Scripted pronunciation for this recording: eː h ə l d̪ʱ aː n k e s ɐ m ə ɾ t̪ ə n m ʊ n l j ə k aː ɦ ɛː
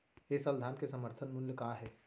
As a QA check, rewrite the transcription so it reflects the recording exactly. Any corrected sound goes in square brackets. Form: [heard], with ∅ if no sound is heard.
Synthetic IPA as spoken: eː [s] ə l d̪ʱ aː n k e s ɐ m ə ɾ [t̪ʰ] ə n m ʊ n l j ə k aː ɦ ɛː